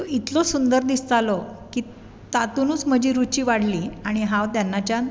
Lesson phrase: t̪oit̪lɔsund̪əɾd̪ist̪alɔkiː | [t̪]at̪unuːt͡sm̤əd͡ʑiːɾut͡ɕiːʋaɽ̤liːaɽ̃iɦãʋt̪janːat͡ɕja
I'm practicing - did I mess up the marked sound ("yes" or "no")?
no